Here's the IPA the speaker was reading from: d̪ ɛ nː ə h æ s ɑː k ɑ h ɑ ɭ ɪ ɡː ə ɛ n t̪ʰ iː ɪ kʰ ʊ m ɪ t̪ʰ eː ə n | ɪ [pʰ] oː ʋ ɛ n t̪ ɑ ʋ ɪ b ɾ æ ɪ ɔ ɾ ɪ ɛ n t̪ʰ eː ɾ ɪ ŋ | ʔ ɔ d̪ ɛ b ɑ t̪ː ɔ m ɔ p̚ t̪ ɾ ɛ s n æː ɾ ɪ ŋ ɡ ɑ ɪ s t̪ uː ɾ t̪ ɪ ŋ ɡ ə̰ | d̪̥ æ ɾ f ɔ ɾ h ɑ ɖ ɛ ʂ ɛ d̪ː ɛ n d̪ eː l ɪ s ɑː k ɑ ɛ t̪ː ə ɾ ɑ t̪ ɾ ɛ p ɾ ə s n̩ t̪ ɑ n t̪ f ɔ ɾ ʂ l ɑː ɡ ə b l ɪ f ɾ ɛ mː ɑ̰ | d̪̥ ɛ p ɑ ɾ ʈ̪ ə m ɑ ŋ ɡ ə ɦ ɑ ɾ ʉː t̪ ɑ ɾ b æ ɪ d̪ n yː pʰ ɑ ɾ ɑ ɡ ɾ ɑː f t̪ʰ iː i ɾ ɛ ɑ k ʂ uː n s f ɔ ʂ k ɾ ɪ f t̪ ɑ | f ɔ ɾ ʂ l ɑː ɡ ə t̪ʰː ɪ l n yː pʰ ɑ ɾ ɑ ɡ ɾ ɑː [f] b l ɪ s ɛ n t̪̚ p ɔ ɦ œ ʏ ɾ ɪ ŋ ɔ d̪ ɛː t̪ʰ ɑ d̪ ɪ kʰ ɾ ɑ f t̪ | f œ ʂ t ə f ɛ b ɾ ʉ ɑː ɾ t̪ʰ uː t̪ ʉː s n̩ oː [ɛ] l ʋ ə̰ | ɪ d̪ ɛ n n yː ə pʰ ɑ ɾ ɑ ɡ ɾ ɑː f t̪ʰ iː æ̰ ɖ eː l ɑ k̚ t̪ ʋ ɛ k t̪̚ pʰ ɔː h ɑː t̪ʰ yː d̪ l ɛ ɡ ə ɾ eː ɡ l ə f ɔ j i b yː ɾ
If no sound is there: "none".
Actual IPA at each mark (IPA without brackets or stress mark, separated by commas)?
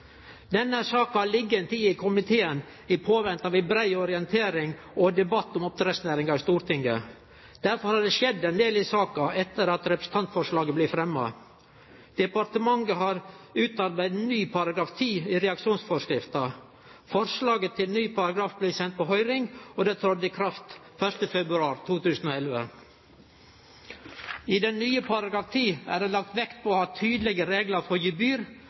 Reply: pʰ, f, ɛ